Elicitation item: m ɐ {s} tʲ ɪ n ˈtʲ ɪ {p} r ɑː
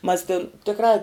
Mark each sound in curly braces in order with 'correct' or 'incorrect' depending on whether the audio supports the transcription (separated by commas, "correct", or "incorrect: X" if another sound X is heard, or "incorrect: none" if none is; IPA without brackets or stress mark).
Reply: correct, incorrect: k